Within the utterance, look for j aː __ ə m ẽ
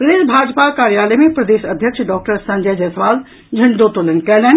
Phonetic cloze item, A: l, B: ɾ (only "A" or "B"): A